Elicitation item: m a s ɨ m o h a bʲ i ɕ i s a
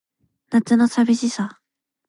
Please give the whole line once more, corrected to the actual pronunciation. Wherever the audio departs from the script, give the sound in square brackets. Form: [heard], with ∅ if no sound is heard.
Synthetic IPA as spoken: [n] a [t͡s] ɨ [n] o [s] a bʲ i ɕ i s a